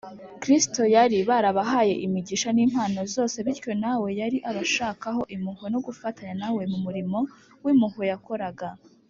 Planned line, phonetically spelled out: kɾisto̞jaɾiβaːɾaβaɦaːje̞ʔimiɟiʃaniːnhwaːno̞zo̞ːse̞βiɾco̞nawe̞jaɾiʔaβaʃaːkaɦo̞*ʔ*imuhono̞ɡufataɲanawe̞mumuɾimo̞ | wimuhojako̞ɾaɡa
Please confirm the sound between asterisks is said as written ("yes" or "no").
yes